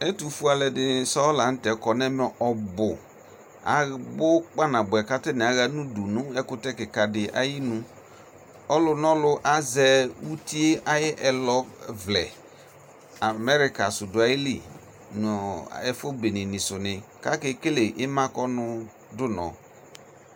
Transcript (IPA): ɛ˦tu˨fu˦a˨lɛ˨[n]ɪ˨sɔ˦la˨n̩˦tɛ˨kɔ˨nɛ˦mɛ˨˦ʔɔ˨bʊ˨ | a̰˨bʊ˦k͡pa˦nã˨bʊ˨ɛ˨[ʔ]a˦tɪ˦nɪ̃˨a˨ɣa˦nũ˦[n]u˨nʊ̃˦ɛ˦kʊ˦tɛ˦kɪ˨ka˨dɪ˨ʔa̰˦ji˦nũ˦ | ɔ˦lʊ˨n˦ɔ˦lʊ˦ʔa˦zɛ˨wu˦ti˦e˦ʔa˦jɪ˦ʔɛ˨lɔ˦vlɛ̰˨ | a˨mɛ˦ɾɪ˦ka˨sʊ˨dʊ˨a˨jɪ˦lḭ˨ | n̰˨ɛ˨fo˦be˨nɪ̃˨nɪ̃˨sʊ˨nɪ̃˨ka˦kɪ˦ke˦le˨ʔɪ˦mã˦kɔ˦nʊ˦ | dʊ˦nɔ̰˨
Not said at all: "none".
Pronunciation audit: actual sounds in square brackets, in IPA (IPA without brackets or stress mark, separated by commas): d, k, d